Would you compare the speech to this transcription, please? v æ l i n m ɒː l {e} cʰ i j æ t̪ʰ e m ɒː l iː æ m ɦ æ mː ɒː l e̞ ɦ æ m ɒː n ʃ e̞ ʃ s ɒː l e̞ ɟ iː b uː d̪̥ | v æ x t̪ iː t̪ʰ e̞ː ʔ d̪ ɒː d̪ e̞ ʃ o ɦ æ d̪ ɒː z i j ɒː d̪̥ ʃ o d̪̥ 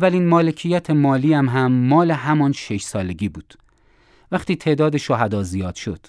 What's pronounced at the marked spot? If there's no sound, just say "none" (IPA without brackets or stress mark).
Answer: e